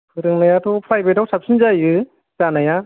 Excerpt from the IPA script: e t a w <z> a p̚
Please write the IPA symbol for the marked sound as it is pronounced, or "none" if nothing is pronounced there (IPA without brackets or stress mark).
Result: s